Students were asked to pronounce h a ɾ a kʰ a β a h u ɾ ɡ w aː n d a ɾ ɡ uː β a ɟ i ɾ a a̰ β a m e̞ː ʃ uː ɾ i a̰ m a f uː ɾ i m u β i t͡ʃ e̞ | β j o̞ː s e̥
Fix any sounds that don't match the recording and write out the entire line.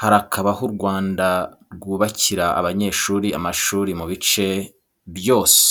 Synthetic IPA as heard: h a ɾ a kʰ a β a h u ɾ ɡ w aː n d a ɾ ɡ uː β a c i ɾ a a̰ β a ɲ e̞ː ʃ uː ɾ i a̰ m a ʃ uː ɾ i m u β i t͡ʃ e̞ | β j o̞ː s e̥